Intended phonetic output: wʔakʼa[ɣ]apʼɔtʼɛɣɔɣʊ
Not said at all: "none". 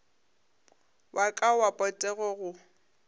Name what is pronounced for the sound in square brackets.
w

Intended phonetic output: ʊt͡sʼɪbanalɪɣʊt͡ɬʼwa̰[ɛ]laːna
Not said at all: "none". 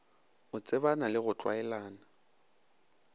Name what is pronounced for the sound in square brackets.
ɛ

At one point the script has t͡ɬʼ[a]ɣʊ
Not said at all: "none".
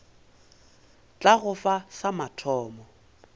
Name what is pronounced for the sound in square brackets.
a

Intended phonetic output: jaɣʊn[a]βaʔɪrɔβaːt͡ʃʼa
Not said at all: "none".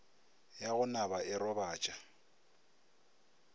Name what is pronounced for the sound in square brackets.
a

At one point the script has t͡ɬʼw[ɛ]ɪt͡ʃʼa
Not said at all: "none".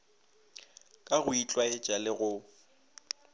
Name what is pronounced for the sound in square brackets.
a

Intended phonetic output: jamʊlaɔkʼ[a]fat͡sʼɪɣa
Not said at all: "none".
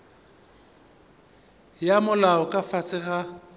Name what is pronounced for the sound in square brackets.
a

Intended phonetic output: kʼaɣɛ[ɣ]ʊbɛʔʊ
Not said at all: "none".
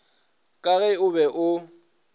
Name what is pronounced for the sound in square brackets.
none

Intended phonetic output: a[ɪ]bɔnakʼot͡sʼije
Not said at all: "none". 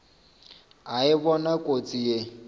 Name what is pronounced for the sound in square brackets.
ɪ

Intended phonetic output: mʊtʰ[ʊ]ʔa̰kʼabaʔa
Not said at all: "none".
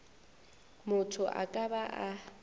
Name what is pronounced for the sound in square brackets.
ʊ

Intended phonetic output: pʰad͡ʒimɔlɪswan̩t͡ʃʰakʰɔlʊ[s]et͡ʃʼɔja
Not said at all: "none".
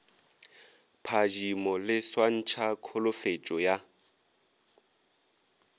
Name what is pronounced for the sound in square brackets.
f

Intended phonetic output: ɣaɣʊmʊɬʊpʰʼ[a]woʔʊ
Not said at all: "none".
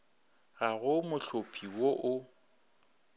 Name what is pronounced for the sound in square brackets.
i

